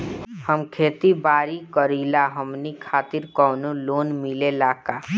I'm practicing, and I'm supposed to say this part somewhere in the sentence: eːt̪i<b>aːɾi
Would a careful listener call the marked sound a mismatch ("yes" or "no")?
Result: no